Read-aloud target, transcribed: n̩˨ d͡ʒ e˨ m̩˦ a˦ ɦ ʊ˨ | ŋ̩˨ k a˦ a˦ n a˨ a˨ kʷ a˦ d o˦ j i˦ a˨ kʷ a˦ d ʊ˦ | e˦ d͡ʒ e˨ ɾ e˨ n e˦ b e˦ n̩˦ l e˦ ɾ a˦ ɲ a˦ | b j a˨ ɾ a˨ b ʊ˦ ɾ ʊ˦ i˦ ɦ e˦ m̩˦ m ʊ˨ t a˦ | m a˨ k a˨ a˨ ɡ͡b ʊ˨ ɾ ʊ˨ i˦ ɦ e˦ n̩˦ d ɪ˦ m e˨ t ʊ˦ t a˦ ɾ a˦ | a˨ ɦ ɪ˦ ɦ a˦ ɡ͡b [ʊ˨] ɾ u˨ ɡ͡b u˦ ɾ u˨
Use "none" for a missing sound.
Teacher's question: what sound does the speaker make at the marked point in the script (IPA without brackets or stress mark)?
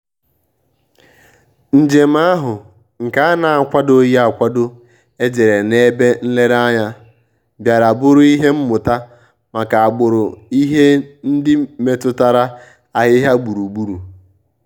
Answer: u˨